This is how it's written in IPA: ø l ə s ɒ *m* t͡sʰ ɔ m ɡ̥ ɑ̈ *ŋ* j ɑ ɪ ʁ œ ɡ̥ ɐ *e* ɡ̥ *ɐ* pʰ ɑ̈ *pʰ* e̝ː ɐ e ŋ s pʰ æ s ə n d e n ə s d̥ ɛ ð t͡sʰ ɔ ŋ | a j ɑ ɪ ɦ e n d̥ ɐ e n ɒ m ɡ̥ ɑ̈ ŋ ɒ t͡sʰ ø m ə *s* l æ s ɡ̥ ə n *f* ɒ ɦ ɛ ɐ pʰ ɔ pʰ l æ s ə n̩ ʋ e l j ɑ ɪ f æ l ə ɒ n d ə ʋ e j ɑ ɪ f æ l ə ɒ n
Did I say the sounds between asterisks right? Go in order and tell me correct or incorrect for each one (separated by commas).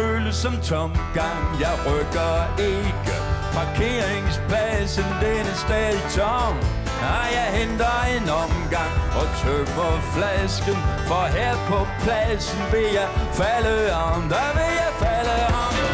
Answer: correct, correct, correct, incorrect, incorrect, incorrect, correct